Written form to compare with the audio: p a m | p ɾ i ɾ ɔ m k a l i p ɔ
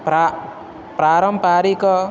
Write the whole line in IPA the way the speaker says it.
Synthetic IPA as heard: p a | p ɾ a ɾ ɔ m p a ɾ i k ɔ